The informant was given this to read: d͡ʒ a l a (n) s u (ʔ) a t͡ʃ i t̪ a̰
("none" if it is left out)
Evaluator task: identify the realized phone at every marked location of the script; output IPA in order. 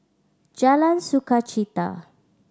n, k

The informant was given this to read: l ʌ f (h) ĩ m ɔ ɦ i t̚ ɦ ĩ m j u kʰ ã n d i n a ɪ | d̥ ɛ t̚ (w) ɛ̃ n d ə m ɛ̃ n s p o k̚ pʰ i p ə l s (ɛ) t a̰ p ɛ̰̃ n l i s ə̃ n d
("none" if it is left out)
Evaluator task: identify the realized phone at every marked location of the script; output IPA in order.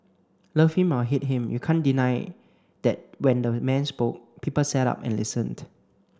h, w, ɛ

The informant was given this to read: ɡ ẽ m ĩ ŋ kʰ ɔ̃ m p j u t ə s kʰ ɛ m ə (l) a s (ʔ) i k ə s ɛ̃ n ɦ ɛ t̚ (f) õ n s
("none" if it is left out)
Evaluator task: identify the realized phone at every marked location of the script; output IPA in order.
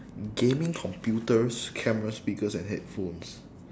ɹ, p, f

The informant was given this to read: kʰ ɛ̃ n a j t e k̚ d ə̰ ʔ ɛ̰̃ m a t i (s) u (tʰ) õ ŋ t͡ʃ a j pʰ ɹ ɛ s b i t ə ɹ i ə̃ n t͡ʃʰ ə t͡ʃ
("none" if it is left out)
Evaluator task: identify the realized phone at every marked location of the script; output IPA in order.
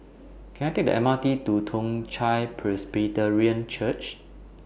t, tʰ

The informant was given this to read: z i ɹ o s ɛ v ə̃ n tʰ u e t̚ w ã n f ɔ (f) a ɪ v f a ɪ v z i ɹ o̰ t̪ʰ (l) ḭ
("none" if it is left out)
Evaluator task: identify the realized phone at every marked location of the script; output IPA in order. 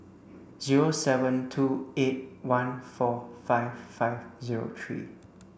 f, ɹ

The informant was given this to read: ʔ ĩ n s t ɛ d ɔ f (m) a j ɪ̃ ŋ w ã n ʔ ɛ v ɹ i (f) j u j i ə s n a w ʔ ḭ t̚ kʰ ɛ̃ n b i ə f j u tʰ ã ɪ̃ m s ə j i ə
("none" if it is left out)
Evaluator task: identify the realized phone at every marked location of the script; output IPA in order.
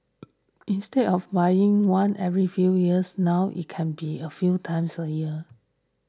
b, f

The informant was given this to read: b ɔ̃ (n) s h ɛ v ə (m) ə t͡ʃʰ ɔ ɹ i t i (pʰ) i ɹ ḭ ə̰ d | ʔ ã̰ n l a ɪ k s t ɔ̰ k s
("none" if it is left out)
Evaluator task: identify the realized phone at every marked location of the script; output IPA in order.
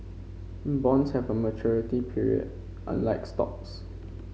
n, m, pʰ

